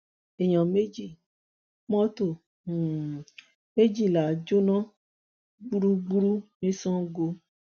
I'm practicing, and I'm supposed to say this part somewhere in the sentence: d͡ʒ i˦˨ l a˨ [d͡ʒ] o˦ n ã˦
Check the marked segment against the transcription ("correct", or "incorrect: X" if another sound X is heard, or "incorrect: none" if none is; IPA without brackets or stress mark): correct